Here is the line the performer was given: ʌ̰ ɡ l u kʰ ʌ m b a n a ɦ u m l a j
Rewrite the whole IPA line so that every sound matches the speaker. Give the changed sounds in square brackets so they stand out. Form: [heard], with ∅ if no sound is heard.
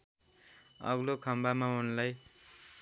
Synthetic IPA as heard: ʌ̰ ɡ l [o] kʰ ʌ m b a [m] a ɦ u [n] l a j